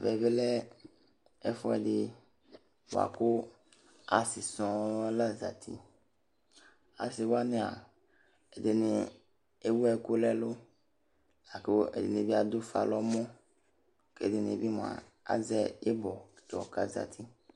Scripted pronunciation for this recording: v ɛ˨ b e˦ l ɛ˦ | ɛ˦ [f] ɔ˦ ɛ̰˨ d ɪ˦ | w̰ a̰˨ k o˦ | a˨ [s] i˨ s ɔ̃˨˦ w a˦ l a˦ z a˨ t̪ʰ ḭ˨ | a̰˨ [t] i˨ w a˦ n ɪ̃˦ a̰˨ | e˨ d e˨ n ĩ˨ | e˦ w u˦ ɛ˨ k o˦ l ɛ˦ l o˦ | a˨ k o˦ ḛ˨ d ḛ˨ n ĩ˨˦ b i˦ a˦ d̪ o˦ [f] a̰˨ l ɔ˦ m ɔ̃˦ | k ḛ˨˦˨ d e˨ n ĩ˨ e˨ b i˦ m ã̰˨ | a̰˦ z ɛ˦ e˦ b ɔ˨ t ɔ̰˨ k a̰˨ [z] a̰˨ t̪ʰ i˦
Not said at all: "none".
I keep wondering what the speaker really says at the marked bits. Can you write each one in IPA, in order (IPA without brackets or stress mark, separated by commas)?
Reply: f, s, s, f, z